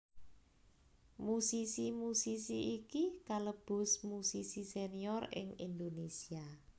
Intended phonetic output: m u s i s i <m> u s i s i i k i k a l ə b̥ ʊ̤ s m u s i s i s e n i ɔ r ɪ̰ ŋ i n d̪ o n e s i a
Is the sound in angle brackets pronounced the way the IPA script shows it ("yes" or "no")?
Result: yes